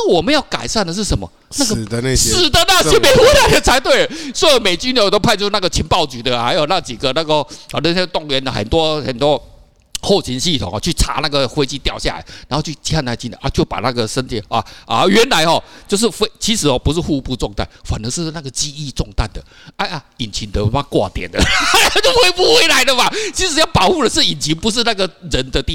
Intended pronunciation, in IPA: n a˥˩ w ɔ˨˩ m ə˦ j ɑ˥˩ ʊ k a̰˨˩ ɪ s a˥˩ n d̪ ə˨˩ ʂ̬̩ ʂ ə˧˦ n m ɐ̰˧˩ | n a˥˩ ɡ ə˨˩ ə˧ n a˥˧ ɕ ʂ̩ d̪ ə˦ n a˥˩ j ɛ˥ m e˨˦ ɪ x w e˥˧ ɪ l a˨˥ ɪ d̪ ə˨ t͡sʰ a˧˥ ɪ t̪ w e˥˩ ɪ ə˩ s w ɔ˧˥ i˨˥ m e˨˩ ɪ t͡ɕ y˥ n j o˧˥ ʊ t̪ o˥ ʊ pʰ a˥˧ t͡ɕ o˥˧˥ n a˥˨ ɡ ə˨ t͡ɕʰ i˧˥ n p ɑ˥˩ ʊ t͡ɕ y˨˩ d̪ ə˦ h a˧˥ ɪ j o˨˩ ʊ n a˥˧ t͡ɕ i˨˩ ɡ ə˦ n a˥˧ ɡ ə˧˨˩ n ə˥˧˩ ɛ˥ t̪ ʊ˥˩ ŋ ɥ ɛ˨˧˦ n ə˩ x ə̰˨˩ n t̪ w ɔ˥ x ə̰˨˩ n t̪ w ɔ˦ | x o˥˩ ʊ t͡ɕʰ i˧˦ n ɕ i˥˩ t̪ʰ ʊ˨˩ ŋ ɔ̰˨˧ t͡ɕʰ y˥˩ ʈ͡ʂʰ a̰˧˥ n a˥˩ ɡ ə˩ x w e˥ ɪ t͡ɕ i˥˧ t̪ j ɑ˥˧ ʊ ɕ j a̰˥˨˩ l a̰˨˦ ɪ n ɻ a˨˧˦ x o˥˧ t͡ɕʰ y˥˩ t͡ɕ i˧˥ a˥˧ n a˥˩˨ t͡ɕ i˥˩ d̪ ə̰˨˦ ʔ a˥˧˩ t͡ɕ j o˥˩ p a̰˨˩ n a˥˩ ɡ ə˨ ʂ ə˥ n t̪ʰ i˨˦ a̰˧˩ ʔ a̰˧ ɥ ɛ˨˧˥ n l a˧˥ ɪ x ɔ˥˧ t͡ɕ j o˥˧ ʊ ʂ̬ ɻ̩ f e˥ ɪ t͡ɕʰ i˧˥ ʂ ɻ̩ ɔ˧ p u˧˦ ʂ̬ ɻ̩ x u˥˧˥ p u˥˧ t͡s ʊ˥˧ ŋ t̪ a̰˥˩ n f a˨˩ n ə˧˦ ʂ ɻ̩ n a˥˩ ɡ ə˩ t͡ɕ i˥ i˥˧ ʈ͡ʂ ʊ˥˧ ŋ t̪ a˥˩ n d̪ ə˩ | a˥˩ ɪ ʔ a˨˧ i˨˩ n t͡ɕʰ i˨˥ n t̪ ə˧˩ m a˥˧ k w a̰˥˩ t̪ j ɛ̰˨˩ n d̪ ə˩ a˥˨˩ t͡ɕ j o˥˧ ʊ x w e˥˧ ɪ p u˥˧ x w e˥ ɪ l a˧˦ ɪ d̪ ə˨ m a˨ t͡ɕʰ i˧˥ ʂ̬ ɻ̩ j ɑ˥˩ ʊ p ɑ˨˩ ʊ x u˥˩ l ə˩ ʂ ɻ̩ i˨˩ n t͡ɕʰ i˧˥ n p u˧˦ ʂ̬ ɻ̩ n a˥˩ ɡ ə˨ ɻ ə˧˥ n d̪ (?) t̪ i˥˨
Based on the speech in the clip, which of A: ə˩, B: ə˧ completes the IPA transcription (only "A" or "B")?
B